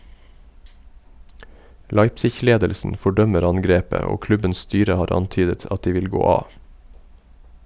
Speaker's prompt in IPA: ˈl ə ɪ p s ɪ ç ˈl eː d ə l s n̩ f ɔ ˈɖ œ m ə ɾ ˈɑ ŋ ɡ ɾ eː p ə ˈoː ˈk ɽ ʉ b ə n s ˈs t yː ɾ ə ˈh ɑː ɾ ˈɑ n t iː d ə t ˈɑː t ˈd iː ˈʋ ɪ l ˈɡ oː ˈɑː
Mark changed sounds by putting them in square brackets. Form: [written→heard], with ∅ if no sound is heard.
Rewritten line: ˈl [ə→ɑ] ɪ p s ɪ ç ˈl eː d ə l s n̩ f ɔ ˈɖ œ m ə ɾ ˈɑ ŋ ɡ ɾ eː p ə ˈoː ˈk [ɽ→l] ʉ b ə n s ˈs t yː ɾ ə ˈh ɑː ɾ ˈɑ n t [iː→yː] d ə t [ˈɑː→ˈɑ] t ˈd iː ˈʋ ɪ l ˈɡ oː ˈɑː